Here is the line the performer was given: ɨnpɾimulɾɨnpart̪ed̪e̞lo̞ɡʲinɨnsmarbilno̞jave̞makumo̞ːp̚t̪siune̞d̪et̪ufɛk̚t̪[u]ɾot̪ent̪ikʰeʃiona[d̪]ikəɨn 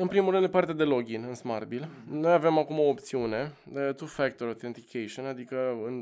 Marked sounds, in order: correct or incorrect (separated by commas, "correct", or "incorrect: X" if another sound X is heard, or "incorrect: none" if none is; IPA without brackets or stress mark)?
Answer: incorrect: o, correct